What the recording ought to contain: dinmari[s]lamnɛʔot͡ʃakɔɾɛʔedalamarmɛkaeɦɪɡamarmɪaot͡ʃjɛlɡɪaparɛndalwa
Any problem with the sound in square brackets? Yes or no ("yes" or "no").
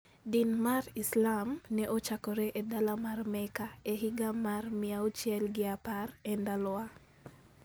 no